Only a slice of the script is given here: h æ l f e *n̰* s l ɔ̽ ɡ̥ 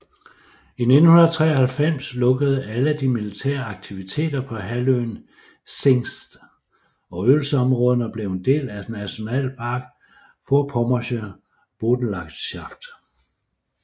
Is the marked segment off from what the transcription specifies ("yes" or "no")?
yes